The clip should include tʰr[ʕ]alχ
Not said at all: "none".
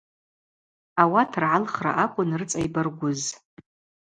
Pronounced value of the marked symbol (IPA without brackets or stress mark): ʕ